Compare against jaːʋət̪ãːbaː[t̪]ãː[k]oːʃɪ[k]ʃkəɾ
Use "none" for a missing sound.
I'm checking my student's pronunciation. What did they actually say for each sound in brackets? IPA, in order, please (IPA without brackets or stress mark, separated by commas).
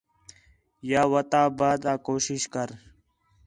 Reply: d̪, k, none